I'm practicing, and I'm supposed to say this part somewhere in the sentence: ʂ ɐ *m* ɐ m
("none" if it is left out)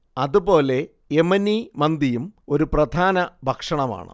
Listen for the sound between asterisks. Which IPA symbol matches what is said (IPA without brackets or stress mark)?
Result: ɳ